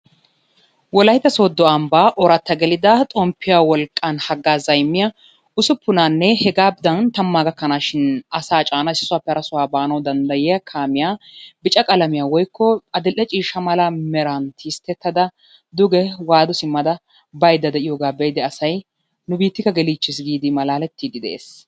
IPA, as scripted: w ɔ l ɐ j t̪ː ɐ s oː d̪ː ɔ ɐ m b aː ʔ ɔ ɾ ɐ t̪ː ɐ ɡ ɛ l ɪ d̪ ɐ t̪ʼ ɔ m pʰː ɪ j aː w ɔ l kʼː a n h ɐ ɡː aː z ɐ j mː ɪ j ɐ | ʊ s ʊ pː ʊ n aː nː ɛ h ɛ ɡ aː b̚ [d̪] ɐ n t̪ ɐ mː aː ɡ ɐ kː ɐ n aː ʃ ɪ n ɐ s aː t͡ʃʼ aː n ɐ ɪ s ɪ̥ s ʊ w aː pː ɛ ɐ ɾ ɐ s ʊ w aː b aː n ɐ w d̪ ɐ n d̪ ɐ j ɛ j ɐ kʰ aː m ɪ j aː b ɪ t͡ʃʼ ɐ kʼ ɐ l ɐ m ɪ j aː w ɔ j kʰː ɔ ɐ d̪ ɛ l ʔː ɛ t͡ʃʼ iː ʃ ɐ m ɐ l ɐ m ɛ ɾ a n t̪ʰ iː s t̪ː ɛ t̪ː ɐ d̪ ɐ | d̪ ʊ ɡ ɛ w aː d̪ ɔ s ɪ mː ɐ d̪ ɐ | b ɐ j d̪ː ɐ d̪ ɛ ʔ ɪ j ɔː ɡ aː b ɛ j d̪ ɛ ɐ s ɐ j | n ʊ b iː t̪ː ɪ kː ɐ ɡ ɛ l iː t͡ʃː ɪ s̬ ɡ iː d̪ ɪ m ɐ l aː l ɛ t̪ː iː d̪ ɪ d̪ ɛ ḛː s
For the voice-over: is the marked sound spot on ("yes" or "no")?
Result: yes